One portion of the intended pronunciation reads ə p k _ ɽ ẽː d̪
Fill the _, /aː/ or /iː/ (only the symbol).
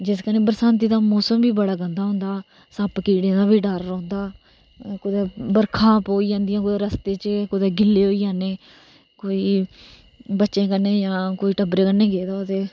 iː